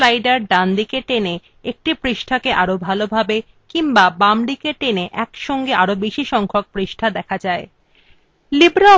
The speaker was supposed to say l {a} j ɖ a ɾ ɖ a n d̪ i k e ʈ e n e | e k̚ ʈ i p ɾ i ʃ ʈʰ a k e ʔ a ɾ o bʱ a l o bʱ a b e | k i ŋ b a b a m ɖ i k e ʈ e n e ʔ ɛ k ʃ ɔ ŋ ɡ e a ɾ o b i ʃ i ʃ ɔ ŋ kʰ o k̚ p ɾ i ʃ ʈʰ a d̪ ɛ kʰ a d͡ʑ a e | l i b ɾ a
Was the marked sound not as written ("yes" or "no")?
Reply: no